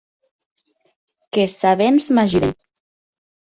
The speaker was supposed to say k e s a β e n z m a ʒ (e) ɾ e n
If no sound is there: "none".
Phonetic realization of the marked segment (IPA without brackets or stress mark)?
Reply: i